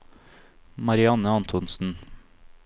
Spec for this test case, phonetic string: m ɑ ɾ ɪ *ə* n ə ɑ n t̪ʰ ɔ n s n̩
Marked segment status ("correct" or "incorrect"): incorrect